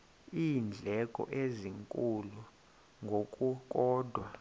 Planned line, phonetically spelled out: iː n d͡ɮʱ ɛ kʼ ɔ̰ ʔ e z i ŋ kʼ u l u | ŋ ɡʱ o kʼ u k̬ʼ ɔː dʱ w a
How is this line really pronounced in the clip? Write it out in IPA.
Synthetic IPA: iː n d͡ɮʱ ɛ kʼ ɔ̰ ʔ e z i ŋ kʼ u l u | ŋ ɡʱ o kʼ u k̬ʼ ɔː dʱ w a